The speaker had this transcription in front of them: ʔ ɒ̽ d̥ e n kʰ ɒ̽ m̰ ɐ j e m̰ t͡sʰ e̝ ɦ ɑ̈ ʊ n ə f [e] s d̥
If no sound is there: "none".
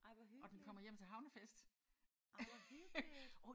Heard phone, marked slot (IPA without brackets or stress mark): e